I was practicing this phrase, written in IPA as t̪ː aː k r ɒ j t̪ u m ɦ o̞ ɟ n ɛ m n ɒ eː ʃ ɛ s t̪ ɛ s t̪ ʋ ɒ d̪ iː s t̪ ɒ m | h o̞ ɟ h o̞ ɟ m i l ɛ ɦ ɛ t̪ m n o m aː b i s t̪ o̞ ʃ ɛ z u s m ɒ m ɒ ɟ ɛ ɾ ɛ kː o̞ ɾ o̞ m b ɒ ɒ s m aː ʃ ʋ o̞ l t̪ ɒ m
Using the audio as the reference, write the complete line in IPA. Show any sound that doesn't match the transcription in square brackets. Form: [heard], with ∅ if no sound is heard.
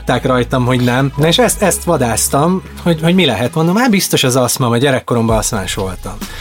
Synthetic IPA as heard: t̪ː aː k r ɒ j t̪ [ɒ] m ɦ o̞ ɟ n ɛ m n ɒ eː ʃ ɛ s t̪ ɛ s t̪ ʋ ɒ d̪ [aː] s t̪ ɒ m | h o̞ ɟ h o̞ ɟ m i l ɛ ɦ ɛ t̪ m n o m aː b i s t̪ o̞ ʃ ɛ z [ɒ] s m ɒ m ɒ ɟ ɛ ɾ ɛ kː o̞ ɾ o̞ m b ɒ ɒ s m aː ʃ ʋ o̞ l t̪ ɒ m